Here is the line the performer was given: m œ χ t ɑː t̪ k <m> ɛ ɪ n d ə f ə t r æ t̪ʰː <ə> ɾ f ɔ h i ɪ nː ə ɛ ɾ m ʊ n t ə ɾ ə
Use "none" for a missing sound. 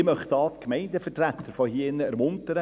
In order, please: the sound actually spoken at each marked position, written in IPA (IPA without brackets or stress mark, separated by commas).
m, ə